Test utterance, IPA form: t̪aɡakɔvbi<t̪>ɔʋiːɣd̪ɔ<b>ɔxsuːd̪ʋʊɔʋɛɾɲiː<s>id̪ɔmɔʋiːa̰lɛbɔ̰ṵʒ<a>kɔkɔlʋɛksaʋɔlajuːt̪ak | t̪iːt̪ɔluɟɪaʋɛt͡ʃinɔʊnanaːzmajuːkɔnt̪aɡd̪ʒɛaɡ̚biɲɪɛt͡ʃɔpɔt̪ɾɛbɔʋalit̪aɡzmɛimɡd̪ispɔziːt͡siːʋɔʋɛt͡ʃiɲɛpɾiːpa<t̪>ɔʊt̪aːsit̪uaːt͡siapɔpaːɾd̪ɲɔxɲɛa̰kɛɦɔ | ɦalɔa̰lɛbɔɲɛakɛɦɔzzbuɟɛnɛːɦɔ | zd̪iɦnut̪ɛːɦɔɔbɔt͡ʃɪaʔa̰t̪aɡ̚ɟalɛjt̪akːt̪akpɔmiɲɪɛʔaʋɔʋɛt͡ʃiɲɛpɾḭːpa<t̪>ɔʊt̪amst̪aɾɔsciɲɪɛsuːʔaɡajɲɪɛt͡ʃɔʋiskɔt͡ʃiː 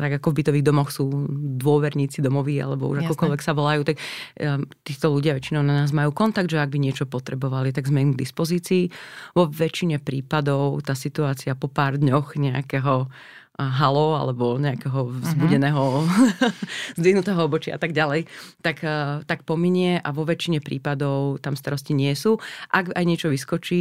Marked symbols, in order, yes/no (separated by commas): yes, no, no, yes, no, no